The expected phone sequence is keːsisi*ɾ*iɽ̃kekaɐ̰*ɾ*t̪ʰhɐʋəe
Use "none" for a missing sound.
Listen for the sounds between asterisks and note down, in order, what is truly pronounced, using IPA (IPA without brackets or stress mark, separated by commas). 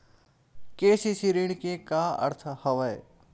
ɾ, ɾ